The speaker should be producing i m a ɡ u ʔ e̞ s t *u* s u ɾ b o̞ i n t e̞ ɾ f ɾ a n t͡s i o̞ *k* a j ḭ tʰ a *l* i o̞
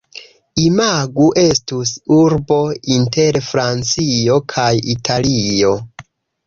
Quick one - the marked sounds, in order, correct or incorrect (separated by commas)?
correct, incorrect, correct